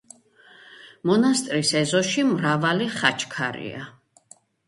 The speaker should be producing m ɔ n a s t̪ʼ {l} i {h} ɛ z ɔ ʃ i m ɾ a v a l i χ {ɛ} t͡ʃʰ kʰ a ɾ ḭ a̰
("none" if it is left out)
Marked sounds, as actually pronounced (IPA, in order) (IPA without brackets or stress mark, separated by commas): ɾ, s, a